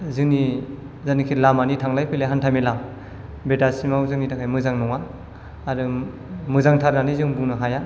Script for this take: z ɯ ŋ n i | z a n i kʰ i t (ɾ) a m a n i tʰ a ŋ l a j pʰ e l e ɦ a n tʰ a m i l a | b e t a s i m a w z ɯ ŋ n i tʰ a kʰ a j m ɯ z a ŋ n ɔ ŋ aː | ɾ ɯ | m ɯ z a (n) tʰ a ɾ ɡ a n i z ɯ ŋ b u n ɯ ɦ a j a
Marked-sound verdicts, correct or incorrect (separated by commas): incorrect, incorrect